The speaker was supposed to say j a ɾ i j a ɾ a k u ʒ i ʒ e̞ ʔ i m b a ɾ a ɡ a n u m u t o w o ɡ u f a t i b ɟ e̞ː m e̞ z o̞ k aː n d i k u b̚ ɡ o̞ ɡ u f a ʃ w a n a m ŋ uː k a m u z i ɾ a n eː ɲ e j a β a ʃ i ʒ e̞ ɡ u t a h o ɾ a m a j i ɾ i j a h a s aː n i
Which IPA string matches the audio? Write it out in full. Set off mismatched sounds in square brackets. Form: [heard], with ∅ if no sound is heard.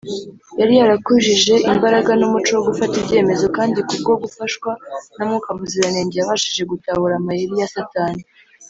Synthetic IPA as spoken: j a ɾ i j a ɾ a k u ʒ i ʒ e̞ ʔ i m b a ɾ a ɡ a n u m u [t͡ʃ] o w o ɡ u f a t i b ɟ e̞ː m e̞ z o̞ k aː n d i k u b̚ ɡ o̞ ɡ u f a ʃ w a n a m ŋ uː k a m u z i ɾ a n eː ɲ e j a β a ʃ i ʒ e̞ ɡ u t a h [u] ɾ a m a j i ɾ i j a [s] a [t] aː n i